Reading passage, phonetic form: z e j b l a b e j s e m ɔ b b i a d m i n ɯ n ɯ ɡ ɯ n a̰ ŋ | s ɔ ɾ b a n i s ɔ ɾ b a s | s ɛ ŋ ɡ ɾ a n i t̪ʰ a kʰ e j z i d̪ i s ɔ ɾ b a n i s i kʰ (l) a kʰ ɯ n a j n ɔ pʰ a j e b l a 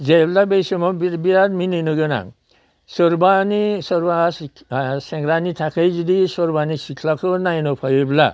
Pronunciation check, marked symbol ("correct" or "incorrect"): correct